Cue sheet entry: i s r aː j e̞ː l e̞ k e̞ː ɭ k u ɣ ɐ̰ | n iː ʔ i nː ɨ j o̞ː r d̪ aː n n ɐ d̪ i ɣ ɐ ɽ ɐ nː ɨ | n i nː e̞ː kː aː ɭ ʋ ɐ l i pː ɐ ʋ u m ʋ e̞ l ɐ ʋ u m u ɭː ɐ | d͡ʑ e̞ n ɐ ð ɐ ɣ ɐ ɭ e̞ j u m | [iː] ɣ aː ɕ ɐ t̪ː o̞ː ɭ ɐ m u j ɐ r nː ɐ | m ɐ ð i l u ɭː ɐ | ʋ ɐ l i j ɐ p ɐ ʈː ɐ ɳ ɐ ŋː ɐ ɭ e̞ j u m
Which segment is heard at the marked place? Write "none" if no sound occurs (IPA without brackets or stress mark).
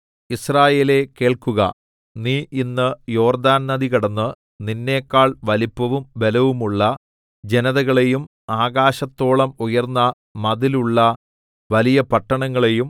aː